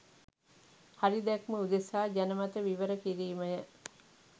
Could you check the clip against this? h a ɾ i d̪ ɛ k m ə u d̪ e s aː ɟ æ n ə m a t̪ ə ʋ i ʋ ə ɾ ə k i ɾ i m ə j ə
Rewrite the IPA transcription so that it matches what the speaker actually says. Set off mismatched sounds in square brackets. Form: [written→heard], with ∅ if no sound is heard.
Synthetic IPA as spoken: h a ɾ i d̪ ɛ k m ə u d̪ e s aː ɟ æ n ə m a t̪ ə ʋ i ʋ ə ɾ ə k i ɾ [i→iː] m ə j ə